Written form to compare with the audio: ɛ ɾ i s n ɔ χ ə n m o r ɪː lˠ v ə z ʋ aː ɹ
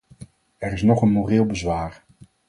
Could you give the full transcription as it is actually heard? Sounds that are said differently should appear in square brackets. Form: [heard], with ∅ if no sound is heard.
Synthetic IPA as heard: ɛ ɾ [ɪ] s n ɔ χ ə n m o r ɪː lˠ [b] ə z ʋ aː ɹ